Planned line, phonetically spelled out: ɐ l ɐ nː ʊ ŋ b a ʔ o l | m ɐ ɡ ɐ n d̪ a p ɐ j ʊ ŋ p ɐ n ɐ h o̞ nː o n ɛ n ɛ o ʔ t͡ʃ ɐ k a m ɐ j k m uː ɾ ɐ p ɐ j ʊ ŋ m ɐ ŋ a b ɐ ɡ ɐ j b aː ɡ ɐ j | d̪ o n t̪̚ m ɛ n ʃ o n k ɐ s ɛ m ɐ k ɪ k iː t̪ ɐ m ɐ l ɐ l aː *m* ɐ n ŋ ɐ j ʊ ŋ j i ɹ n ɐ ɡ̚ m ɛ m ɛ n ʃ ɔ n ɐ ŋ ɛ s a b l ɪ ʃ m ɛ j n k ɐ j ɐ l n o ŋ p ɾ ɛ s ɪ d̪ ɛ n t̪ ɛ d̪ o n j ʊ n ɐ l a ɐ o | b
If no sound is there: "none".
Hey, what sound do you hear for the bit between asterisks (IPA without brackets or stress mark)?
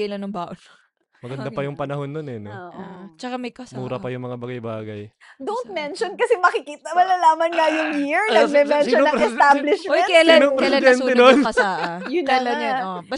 m